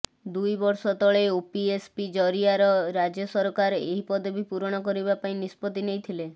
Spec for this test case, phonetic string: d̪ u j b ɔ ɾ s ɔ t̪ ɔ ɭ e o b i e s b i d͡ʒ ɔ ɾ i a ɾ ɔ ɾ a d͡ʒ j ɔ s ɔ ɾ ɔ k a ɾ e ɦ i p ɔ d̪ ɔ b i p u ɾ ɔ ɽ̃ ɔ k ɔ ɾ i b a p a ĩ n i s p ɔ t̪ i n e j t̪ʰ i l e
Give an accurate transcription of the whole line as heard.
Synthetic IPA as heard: d̪ u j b ɔ ɾ s ɔ t̪ ɔ ɭ e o p i e s p i d͡ʒ ɔ ɾ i a ɾ ɔ ɾ a d͡ʒ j ɔ s ɔ ɾ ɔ k a ɾ e ɦ i p ɔ d̪ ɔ b i p u ɾ ɔ ɽ̃ ɔ k ɔ ɾ i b a p a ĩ n i s p ɔ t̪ i n e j t̪ʰ i l e